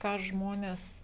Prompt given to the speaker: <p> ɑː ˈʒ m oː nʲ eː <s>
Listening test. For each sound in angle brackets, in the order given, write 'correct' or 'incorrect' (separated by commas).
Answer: incorrect, correct